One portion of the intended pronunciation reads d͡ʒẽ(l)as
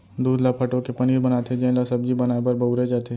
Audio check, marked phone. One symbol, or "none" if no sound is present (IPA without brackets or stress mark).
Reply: l